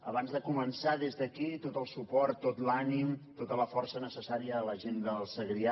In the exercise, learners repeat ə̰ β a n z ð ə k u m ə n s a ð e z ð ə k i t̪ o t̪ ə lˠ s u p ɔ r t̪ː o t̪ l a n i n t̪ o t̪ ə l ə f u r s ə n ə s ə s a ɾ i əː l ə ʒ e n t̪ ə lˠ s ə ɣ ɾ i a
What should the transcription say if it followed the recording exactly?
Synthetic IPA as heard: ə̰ β a n z ð ə k u m ə n s a ð e z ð ə k i t̪ o t̪ ə lˠ s u p ɔ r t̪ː o t̪ l a n i m t̪ o t̪ ə l ə f ɔ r s ə n ə s ə s a ɾ i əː l ə ʒ e n d̪ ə lˠ s ə ɣ ɾ i a